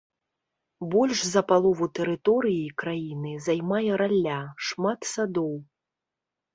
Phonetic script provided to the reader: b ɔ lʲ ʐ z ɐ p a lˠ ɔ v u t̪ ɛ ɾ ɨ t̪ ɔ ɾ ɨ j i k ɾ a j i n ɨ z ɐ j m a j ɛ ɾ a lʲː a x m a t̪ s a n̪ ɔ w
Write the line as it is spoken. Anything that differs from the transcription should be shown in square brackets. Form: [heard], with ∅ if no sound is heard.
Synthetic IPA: b ɔ lʲ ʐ z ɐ p a lˠ ɔ v u t̪ ɛ ɾ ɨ t̪ ɔ ɾ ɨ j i k ɾ a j i n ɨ z [a] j m a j ɛ ɾ a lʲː a [ʂ] m a t̪ s a [d̪] ɔ w